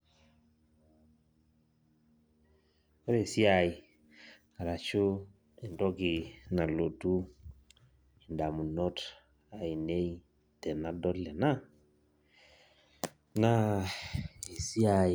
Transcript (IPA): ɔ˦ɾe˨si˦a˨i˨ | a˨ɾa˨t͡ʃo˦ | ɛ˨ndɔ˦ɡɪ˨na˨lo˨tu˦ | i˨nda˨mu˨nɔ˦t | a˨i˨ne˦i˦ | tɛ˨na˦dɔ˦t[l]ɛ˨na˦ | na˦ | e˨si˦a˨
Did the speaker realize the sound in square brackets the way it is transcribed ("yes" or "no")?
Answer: yes